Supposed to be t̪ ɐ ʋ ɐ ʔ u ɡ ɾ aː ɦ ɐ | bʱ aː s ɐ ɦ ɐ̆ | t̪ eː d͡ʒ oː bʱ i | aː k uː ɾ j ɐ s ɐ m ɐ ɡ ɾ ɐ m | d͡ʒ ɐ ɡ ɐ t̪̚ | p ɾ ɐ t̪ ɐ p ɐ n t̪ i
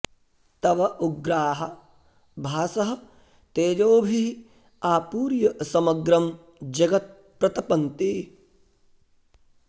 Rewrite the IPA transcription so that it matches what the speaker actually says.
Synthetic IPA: t̪ ɐ ʋ ɐ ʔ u ɡ ɾ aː ɦ ɐ | bʱ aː s ɐ ɦ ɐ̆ | t̪ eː d͡ʒ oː bʱ i | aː p uː ɾ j ɐ s ɐ m ɐ ɡ ɾ ɐ m | d͡ʒ ɐ ɡ ɐ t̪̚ | p ɾ ɐ t̪ ɐ p ɐ n t̪ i